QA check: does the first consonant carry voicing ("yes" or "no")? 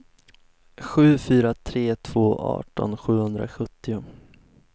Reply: no